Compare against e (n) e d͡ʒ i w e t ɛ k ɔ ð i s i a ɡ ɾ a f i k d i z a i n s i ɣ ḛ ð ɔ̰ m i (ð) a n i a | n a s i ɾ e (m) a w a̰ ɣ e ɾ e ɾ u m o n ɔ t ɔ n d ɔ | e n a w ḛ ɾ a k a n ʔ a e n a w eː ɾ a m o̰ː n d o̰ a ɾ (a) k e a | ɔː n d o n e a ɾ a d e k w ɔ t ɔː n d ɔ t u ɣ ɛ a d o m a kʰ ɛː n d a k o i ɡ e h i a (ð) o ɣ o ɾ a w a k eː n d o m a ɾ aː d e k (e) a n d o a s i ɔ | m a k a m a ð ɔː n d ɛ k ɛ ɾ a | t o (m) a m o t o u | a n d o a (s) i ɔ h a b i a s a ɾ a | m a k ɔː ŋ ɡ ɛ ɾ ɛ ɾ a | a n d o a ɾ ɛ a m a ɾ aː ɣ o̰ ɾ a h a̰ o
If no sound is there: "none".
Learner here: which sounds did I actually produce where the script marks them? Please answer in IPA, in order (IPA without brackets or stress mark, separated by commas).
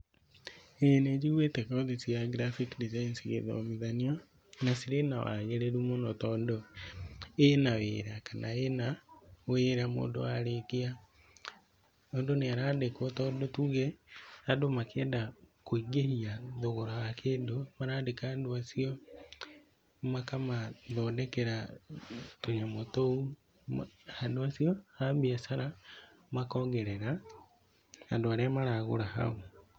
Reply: n, ð, n, e, ð, a, ɲ, s